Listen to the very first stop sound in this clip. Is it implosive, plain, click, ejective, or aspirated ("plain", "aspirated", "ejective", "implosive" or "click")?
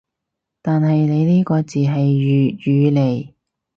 plain